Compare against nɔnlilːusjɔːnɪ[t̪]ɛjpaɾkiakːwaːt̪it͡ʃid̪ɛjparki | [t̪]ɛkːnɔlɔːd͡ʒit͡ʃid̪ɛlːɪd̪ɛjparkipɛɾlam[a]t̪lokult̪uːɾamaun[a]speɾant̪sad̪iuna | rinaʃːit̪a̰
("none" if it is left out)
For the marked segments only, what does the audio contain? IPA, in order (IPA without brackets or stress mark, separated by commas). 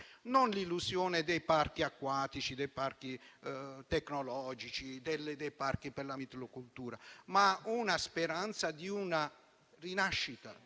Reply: d̪, t̪, i, a